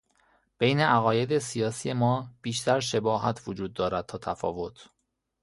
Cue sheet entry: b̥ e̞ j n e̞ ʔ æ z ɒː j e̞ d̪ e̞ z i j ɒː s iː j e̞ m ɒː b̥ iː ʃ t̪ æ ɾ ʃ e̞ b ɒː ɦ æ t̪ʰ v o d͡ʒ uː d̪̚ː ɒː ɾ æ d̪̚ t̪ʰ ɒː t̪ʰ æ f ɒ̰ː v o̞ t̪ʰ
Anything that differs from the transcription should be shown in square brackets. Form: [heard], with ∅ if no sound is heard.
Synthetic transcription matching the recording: b̥ e̞ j n e̞ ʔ æ [ɣ] ɒː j e̞ d̪ e̞ [s] i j ɒː s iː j e̞ m ɒː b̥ iː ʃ t̪ æ ɾ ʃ e̞ b ɒː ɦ æ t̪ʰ v o d͡ʒ uː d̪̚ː ɒː ɾ æ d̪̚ t̪ʰ ɒː t̪ʰ æ f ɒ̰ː v o̞ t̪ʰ